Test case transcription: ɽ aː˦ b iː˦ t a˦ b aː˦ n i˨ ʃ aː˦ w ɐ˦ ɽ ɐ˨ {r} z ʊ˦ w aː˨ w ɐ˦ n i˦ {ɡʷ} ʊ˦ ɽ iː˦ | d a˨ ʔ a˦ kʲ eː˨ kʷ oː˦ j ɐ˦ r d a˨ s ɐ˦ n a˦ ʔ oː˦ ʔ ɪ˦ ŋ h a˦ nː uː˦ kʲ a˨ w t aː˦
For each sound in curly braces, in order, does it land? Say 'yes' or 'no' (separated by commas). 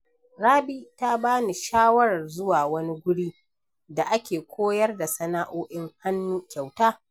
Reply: yes, yes